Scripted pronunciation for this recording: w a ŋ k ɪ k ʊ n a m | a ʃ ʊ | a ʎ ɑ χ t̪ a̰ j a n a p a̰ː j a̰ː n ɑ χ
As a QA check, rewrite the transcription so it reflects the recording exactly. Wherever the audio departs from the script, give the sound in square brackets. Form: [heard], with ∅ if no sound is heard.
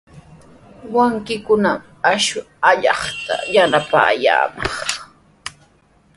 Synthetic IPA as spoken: w a ŋ k ɪ k ʊ n a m | a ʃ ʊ | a ʎ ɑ χ t̪ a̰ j a n a p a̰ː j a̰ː [m] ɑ χ